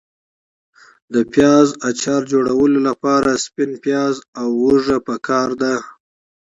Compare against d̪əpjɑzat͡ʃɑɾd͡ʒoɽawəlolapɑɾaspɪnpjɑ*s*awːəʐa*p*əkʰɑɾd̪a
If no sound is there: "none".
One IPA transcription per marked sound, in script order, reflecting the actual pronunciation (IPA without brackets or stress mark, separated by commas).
z, p